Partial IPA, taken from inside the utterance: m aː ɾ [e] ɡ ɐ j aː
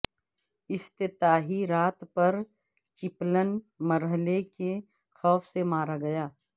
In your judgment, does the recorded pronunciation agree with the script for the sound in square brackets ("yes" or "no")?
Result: no